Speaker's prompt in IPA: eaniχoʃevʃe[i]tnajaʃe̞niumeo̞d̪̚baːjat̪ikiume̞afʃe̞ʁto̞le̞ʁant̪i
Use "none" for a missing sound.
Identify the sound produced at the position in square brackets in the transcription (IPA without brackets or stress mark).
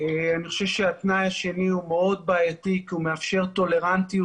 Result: a